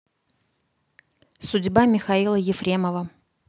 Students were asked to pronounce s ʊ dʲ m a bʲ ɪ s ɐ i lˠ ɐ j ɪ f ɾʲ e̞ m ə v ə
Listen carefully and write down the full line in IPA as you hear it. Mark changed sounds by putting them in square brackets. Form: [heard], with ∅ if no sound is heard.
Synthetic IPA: s ʊ dʲ [b] a [mʲ] ɪ [x] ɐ i lˠ [ə] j ɪ f ɾʲ e̞ m ə v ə